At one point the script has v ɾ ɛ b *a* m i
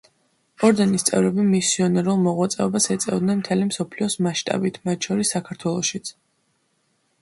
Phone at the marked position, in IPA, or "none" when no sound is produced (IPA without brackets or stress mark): i